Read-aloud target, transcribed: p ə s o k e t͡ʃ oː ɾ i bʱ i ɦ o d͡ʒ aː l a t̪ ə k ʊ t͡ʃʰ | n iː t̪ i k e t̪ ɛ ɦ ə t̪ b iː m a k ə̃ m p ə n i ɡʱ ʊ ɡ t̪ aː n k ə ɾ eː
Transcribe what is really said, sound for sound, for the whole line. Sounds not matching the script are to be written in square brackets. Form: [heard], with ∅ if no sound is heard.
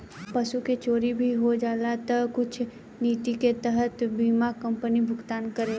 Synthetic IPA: p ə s [u] k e t͡ʃ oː ɾ i bʱ i ɦ o d͡ʒ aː l a t̪ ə k ʊ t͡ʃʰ | n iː t̪ i k e t̪ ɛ ɦ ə t̪ b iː m a k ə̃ m p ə n i [bʱ] ʊ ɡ t̪ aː n k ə ɾ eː